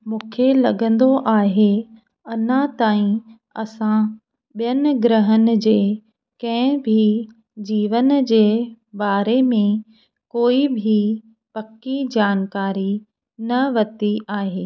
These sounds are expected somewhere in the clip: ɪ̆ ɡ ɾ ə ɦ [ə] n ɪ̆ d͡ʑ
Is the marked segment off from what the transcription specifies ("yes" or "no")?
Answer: no